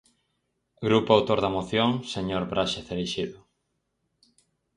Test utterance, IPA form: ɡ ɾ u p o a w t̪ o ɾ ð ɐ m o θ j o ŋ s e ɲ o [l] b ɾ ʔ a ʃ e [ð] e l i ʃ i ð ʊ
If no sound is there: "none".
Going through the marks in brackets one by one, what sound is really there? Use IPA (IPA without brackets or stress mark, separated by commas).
ɾ, θ